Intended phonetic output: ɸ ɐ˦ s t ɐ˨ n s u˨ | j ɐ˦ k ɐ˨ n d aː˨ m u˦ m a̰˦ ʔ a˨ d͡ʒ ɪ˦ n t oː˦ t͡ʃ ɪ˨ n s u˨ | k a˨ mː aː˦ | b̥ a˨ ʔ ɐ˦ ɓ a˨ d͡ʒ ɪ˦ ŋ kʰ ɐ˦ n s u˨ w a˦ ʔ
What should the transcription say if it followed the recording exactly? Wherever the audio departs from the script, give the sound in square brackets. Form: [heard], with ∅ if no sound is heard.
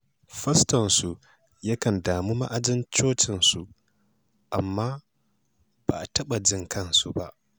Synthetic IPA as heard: ɸ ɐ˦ s t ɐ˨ n s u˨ | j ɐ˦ k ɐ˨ n d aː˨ m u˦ m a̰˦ ʔ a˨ d͡ʒ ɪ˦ n [t͡ʃ] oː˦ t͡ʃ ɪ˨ n s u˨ | [ʔ] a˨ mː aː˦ | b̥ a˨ [t] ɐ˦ ɓ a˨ d͡ʒ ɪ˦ ŋ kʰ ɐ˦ n s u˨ [b] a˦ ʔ